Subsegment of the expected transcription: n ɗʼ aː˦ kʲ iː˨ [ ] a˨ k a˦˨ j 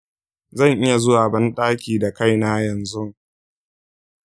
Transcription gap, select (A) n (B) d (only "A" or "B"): B